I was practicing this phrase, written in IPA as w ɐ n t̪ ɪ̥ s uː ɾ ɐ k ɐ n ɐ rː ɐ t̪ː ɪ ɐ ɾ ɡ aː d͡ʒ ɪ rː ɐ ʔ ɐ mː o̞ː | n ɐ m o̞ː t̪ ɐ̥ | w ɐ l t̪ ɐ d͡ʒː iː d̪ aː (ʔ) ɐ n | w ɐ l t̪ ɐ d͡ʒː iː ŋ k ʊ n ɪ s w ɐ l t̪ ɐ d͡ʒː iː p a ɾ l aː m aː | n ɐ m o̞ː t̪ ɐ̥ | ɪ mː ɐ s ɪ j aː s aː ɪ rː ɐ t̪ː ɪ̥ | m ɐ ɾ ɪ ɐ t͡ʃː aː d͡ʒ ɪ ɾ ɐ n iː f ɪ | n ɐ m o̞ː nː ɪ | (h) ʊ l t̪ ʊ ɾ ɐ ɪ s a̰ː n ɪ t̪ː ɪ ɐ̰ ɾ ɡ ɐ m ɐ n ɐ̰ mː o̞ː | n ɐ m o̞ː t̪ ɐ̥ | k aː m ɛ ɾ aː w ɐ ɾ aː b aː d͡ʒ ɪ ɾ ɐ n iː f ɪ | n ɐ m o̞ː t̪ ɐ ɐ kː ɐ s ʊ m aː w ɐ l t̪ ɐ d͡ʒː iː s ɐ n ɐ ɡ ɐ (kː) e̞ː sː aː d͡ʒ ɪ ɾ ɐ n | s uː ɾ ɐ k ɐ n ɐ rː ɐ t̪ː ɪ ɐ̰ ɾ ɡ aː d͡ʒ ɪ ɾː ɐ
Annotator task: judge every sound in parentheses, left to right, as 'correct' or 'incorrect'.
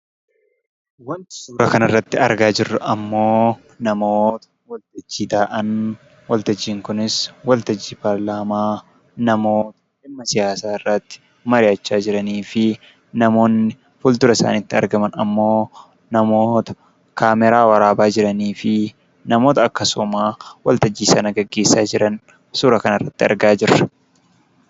correct, incorrect, incorrect

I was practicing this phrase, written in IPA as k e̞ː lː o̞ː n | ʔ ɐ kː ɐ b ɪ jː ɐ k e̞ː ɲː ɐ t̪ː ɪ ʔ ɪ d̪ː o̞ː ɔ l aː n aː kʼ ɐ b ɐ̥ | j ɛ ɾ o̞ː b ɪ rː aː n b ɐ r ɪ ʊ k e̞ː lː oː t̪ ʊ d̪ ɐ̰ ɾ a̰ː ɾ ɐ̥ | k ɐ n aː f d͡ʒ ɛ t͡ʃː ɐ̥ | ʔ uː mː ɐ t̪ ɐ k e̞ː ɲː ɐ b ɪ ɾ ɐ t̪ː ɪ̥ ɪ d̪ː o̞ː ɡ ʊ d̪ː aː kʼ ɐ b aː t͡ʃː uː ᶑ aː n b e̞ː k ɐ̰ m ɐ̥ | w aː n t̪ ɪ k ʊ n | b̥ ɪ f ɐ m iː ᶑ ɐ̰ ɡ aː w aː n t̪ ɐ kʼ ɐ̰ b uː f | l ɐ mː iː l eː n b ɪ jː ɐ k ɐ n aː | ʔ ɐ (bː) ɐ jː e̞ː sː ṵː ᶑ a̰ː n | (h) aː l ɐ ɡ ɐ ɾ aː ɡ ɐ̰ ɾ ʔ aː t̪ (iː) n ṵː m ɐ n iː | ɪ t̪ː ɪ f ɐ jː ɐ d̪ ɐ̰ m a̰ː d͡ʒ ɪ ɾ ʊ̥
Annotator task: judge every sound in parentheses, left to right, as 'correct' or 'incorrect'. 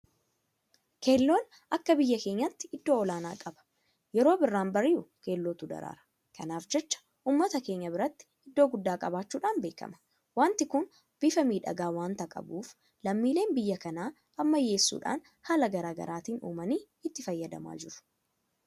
incorrect, correct, correct

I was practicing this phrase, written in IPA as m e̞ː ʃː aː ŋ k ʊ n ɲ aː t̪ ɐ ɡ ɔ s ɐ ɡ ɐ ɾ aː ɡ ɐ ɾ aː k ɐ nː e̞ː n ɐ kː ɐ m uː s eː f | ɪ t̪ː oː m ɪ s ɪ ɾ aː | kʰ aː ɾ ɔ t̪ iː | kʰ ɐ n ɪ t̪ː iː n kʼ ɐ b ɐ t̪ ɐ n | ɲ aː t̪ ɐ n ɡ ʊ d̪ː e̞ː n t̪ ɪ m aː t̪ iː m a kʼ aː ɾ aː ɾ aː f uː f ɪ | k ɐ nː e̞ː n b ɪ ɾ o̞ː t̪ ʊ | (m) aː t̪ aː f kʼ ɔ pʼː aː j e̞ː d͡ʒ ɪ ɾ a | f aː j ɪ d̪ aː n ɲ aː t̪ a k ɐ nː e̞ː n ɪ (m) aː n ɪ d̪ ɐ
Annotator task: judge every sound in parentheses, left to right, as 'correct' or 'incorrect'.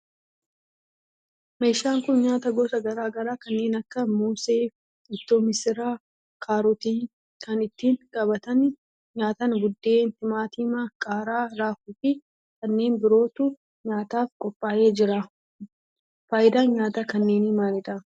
incorrect, correct

